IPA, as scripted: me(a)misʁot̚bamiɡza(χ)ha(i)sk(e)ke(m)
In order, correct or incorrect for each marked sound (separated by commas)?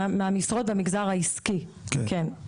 correct, incorrect, correct, incorrect, incorrect